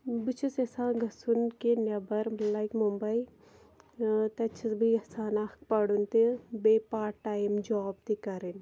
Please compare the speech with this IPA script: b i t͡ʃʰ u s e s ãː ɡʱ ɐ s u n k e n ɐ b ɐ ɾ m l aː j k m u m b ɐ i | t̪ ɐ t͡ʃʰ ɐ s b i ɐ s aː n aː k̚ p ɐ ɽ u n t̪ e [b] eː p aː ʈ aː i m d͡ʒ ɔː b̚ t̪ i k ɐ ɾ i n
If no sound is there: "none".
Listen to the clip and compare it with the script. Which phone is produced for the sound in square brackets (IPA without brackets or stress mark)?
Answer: b